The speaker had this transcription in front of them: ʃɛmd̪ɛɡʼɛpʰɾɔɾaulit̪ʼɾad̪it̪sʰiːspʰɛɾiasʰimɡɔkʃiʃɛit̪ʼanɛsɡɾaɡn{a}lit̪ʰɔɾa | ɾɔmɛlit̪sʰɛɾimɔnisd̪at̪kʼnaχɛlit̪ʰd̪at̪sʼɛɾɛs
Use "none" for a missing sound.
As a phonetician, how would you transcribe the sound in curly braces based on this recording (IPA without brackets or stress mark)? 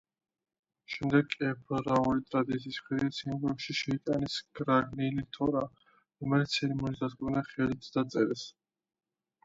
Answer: i